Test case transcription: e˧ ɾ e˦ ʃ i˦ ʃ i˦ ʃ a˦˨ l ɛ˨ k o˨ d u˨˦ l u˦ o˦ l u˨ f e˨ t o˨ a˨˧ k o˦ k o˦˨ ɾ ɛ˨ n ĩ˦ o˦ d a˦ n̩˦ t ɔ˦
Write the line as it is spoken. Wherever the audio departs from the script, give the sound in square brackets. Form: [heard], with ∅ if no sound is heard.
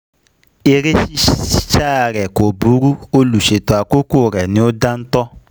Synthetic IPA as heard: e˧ ɾ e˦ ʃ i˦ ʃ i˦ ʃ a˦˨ [ɾ] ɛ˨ k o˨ [b] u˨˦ [ɾ] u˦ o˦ l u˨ [ʃ] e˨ t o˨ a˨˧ k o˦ k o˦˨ ɾ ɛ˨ n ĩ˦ o˦ d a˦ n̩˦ t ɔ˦